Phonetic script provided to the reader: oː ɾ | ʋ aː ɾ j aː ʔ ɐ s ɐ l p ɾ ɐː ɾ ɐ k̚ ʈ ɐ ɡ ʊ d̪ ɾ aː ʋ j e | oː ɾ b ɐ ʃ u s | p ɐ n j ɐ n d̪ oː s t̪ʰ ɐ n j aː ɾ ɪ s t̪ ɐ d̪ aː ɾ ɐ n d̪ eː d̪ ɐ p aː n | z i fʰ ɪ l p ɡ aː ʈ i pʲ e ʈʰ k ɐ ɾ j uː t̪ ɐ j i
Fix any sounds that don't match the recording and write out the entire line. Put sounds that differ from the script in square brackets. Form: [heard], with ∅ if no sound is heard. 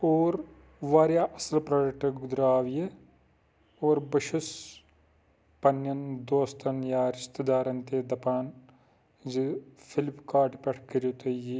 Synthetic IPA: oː ɾ | ʋ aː ɾ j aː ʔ ɐ s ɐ l p ɾ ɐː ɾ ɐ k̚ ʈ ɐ ɡ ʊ d̪ ɾ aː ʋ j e | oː ɾ b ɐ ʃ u s | p ɐ n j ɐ n d̪ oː s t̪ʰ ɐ n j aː ɾ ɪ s t̪ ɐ d̪ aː ɾ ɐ n [t̪] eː d̪ ɐ p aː n | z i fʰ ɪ l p [k] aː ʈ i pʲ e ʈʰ k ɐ ɾ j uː t̪ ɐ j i